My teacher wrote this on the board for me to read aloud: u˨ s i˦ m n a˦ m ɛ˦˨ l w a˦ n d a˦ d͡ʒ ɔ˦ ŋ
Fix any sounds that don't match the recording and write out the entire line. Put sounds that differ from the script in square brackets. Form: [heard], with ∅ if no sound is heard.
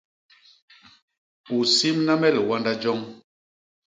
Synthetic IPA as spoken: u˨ s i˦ m n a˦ m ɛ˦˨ l w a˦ n d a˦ d͡ʒ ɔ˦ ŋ